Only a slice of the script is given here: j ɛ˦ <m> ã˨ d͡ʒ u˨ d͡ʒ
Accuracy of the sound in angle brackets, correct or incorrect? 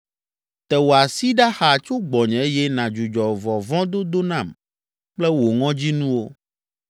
incorrect